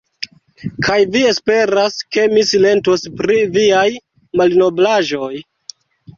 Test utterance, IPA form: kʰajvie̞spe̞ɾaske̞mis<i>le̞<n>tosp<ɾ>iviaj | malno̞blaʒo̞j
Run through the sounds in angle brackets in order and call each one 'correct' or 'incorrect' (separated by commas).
correct, correct, correct